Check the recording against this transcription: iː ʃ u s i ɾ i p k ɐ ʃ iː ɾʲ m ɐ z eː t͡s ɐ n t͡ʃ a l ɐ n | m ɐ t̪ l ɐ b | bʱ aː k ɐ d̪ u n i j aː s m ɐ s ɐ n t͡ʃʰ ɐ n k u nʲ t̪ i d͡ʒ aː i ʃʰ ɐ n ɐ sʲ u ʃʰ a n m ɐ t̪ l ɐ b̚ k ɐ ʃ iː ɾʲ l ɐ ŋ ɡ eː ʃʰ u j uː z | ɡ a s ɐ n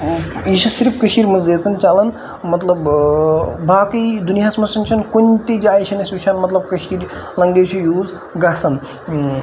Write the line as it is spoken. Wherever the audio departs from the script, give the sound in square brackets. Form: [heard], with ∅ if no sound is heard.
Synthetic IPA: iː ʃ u s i ɾ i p k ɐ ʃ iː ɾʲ m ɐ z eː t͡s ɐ n t͡ʃ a l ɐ n | m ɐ t̪ l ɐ b | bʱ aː k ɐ d̪ u n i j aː s m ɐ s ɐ n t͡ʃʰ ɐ n k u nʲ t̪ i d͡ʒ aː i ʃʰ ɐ n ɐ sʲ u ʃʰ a n m ɐ t̪ l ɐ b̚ k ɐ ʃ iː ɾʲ l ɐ ŋ ɡ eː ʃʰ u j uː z | ɡ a s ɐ n